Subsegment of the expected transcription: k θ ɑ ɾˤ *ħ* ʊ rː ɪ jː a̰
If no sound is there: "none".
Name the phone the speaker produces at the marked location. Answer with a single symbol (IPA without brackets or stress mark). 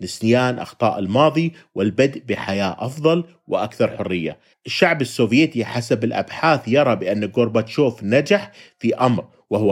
ħ